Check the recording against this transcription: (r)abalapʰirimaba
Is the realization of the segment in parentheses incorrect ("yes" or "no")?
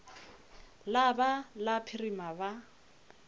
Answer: yes